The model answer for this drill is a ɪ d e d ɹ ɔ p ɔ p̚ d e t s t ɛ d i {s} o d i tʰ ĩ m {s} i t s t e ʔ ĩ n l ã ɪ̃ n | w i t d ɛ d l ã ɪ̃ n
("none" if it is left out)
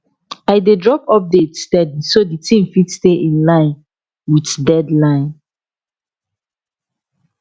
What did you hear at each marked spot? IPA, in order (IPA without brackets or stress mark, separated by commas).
s, f